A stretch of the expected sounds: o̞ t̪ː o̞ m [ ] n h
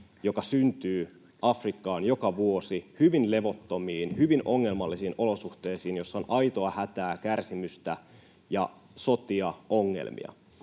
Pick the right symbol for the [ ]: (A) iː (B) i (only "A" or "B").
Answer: A